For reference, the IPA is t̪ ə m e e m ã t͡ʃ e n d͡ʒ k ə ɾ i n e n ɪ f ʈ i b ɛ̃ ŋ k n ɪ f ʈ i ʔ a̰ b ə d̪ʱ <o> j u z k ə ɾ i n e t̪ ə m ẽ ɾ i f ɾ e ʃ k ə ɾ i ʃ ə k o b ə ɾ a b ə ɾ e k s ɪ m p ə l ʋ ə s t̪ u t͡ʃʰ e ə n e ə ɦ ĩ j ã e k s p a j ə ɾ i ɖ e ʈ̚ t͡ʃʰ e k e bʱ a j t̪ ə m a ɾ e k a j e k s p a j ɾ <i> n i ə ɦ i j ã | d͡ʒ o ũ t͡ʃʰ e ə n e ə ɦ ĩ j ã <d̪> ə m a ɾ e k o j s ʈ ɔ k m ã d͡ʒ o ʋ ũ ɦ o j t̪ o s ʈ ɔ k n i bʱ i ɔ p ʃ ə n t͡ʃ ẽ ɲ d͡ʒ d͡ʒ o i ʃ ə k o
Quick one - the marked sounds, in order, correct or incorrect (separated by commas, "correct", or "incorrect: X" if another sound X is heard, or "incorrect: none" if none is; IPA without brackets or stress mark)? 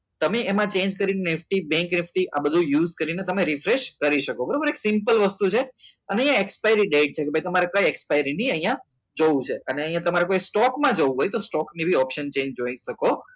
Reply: incorrect: u, correct, incorrect: t̪